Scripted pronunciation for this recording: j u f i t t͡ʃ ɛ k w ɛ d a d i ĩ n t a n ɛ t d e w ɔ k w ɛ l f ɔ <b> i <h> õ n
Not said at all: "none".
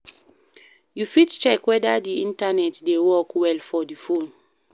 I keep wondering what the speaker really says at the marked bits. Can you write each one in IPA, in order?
d, f

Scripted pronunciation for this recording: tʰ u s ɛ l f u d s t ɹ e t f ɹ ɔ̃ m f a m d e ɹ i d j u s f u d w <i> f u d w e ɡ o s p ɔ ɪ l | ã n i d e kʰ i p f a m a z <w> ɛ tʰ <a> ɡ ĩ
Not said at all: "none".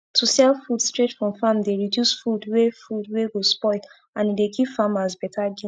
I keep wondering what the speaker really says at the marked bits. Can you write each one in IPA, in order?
e, b, a

